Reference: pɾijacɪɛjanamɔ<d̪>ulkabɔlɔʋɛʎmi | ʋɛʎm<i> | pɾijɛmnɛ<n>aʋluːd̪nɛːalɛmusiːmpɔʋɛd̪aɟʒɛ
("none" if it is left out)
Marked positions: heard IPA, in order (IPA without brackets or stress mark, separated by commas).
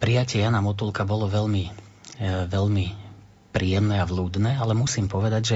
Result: t̪, i, none